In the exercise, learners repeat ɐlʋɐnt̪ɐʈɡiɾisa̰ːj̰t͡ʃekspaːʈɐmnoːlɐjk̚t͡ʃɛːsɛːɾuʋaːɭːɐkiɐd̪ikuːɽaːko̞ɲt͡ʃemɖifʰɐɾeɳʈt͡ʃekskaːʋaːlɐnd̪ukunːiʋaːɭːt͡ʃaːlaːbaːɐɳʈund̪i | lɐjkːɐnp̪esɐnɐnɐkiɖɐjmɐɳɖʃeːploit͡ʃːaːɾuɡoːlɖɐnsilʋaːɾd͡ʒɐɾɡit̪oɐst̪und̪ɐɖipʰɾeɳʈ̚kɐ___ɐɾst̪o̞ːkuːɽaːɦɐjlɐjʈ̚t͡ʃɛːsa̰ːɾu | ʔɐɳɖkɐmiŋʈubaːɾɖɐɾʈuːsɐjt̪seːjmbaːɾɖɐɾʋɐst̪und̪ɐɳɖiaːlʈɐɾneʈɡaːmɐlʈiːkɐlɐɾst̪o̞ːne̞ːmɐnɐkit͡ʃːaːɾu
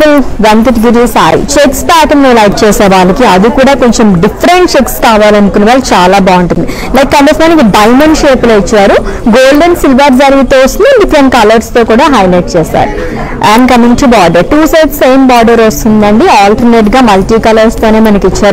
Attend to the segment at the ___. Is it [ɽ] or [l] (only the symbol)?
l